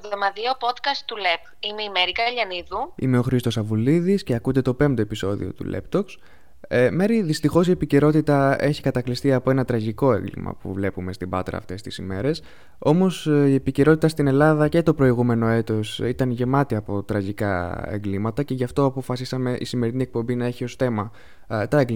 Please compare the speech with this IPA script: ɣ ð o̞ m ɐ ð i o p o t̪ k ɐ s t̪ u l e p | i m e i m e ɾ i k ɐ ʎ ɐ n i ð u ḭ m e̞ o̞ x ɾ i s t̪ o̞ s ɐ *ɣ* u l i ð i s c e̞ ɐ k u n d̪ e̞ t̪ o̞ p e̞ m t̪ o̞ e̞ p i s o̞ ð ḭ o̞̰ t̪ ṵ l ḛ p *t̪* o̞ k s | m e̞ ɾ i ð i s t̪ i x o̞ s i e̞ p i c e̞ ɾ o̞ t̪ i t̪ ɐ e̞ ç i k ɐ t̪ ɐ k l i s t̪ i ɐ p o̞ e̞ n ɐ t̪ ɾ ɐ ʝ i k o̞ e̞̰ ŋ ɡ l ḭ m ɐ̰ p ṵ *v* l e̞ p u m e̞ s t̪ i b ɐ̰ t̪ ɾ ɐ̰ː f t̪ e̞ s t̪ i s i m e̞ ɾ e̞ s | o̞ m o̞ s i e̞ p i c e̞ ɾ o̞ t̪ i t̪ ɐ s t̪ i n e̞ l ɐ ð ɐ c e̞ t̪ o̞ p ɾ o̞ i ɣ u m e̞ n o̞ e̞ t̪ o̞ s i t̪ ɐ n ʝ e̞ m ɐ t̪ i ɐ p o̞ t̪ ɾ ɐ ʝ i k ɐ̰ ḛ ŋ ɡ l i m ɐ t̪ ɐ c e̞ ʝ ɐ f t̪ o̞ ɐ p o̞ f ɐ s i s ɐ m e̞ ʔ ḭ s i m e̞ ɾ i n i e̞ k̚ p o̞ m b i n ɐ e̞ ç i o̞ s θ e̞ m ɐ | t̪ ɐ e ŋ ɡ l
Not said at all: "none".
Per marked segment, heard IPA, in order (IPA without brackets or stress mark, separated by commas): v, t̪, v